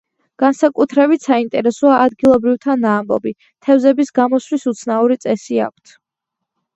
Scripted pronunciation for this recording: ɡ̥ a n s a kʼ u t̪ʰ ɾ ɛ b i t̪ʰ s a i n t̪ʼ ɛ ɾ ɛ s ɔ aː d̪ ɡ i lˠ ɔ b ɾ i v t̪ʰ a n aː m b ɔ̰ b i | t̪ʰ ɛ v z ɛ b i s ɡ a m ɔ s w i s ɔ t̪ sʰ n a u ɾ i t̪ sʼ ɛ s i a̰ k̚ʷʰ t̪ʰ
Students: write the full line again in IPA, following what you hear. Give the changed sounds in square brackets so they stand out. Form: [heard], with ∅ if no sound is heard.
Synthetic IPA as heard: ɡ̥ a n s a kʼ u t̪ʰ ɾ ɛ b i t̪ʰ s a i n t̪ʼ ɛ ɾ ɛ s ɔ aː d̪ ɡ i lˠ ɔ b ɾ i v t̪ʰ a n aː m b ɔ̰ b i | t̪ʰ ɛ v z ɛ b i s ɡ a m ɔ s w i s [u] t̪ sʰ n a u ɾ i t̪ sʼ ɛ s i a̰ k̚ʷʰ t̪ʰ